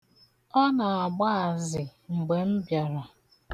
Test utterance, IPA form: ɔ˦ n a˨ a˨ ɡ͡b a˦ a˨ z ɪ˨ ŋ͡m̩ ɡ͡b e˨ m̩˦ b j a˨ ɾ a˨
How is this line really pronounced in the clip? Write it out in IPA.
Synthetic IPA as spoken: ɔ˦ n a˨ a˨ ɡ͡b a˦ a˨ z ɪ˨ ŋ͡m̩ ɡ͡b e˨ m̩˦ b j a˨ ɾ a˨